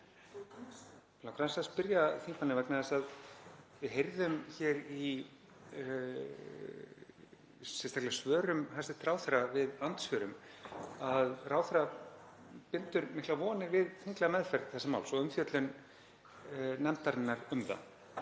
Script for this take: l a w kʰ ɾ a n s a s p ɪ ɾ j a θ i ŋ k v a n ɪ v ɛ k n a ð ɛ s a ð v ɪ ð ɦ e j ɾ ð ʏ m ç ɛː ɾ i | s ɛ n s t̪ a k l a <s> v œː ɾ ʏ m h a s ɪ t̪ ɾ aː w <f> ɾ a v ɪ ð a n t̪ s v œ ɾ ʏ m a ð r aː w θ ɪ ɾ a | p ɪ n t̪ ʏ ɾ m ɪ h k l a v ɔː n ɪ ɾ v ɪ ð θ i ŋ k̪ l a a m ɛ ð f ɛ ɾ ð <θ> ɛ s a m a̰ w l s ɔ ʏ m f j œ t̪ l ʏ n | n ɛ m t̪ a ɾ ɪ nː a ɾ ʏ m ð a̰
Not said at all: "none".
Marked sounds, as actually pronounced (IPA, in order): s, θ, θ

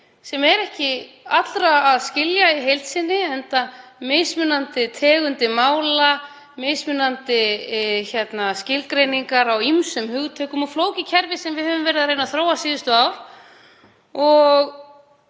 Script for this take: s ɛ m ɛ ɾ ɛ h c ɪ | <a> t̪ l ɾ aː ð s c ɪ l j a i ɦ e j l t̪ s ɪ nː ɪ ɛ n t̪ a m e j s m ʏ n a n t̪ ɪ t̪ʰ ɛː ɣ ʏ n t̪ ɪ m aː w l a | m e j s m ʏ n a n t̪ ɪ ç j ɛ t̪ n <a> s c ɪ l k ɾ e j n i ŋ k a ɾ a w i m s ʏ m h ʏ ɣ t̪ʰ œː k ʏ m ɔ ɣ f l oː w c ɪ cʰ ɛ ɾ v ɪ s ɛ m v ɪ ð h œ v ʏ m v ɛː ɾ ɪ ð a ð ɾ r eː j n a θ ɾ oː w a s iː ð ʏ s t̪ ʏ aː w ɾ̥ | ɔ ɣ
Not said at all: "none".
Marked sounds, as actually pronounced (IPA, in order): a, a

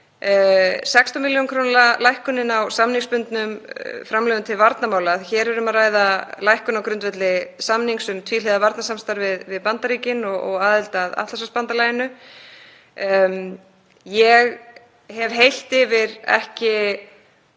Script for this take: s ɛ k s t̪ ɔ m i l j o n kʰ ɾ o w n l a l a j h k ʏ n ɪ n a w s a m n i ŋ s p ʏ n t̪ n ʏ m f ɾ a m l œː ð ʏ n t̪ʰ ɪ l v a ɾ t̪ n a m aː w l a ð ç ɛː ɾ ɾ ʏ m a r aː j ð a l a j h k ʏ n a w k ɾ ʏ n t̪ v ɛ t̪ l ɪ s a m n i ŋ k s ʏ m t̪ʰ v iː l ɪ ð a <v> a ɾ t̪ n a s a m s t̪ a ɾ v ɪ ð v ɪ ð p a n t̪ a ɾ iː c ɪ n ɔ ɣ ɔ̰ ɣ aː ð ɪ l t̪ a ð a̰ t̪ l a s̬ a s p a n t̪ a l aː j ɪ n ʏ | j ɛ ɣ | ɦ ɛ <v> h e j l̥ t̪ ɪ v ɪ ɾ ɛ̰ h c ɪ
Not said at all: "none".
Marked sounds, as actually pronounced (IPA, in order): v, v

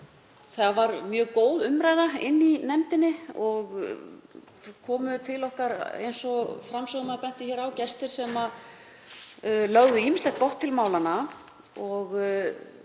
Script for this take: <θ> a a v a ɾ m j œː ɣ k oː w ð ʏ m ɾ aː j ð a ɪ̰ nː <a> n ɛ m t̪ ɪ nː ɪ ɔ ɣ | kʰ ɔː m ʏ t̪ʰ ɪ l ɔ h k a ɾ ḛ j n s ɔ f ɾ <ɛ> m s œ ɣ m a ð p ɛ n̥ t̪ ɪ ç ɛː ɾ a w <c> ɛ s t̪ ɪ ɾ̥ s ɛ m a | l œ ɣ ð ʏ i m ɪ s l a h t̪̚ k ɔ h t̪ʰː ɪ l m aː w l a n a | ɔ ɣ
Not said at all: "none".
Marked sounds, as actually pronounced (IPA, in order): θ, i, a, c

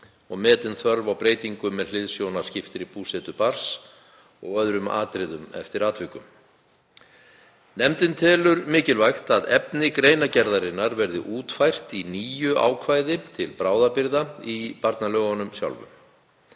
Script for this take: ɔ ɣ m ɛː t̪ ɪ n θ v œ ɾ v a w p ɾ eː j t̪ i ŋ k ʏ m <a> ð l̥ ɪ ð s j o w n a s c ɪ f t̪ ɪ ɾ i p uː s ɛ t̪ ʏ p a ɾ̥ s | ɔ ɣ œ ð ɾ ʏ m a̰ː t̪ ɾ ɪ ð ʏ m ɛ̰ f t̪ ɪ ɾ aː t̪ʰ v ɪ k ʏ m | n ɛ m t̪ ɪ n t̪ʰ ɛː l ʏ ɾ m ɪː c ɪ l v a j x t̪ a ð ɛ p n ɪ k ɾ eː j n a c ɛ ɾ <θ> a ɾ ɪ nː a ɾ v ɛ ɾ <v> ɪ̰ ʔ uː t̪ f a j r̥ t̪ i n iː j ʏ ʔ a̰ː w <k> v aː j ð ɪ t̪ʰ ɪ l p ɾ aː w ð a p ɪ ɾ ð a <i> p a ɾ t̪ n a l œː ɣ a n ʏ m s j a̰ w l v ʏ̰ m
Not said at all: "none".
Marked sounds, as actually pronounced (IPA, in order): ɛ, ð, ð, kʰ, i

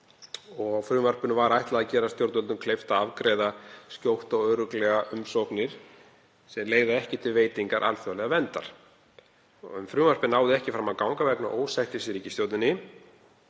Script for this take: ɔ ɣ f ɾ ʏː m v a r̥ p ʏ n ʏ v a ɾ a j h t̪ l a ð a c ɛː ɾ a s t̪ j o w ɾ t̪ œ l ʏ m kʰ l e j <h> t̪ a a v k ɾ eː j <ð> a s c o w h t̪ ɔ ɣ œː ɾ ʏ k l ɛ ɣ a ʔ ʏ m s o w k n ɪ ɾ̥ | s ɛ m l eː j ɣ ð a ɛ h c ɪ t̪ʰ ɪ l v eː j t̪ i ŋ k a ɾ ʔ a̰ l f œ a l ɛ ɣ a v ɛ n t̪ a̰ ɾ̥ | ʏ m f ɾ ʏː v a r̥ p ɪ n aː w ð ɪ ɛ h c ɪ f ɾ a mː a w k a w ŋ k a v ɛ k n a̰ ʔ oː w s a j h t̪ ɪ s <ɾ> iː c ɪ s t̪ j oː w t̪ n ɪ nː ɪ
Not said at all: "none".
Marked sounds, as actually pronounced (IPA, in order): f, ð, ɾ

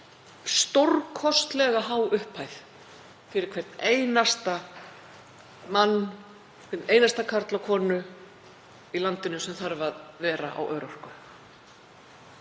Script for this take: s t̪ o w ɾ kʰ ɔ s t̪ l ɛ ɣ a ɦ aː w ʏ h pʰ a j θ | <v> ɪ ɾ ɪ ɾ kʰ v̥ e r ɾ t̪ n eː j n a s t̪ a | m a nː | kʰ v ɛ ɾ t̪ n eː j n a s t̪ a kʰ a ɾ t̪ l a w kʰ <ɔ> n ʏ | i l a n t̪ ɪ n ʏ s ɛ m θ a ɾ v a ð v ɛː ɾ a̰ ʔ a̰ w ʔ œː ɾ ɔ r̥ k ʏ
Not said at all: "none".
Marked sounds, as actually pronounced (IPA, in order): f, ɔː

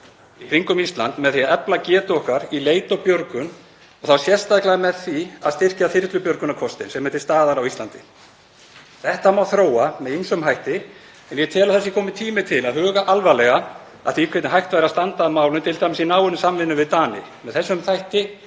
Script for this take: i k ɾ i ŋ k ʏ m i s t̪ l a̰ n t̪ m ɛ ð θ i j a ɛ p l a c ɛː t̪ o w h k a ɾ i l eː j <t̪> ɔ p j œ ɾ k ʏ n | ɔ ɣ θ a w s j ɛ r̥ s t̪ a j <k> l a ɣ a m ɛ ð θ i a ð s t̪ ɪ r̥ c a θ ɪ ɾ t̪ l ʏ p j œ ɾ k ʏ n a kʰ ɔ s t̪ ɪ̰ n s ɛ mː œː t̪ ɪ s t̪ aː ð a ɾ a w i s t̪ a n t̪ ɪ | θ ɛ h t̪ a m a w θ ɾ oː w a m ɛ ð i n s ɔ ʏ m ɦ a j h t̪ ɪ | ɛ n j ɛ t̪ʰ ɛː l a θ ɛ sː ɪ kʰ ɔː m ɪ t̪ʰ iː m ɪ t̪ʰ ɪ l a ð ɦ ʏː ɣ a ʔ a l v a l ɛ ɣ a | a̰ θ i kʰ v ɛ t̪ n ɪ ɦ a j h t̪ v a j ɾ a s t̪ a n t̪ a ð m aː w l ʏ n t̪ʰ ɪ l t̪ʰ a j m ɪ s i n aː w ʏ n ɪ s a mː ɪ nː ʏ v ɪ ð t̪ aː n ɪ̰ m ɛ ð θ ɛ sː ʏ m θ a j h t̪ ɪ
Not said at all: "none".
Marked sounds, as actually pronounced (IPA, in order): t̪, k

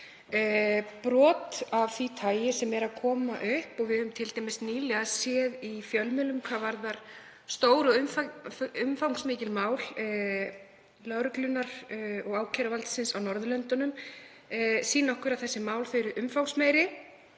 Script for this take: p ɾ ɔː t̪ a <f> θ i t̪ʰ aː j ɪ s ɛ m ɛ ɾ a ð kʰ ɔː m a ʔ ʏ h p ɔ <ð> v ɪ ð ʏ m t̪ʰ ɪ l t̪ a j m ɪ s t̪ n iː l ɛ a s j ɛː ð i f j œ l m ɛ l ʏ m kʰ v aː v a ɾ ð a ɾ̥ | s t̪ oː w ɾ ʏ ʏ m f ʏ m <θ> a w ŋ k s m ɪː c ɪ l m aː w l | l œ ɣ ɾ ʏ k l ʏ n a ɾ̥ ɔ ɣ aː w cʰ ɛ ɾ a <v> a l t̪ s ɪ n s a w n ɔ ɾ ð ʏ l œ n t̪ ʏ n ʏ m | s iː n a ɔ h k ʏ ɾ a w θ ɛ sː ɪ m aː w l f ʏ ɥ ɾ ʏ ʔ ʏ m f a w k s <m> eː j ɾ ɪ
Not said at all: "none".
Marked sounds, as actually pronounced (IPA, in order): v, ɣ, f, v, m

